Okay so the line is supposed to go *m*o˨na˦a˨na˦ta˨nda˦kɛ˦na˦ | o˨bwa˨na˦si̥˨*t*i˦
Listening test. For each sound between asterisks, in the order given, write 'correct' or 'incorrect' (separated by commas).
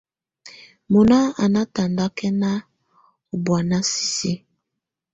correct, incorrect